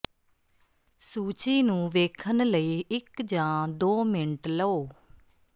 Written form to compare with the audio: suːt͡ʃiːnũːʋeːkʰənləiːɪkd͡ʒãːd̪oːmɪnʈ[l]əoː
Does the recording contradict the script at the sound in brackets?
no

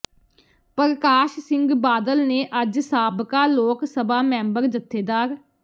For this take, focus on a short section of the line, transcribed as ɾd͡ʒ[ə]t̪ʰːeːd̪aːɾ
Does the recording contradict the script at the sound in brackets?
no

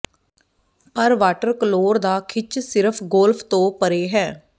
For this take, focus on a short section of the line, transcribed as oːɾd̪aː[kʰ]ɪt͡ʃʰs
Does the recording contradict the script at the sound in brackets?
no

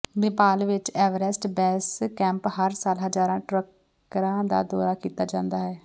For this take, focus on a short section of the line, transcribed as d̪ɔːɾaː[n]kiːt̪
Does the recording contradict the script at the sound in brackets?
yes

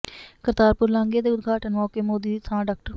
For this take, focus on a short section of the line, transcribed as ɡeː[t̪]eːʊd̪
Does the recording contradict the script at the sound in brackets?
yes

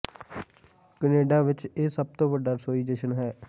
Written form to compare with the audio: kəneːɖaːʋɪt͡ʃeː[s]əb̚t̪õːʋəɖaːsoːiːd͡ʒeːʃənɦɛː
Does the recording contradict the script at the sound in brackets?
no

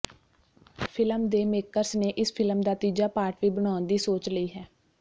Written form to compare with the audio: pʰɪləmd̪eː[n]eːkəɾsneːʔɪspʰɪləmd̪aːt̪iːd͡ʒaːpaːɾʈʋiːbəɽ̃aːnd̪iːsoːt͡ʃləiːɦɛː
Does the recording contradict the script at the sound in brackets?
yes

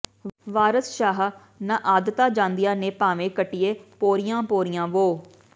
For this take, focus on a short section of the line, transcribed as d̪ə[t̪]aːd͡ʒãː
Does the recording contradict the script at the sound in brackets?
no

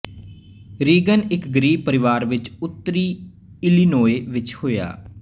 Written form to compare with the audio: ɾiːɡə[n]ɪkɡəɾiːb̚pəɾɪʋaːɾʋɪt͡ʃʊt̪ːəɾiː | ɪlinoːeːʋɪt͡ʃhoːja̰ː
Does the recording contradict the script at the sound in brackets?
no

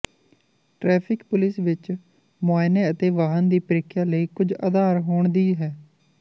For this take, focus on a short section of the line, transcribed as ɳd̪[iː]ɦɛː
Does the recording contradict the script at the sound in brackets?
no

